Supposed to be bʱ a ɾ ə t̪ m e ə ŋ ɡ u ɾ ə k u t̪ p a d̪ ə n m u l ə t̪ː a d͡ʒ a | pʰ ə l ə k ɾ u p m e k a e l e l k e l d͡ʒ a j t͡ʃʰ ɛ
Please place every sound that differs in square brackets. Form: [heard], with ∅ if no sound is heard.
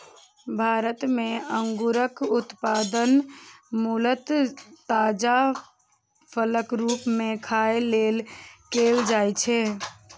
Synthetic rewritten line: bʱ a ɾ ə t̪ m e ə ŋ ɡ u ɾ ə k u t̪ p a d̪ ə n m u l ə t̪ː a d͡ʒ a | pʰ ə l ə k ɾ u p m e [kʰ] a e l e l k e l d͡ʒ a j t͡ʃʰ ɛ